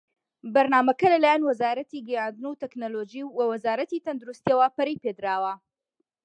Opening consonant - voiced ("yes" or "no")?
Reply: yes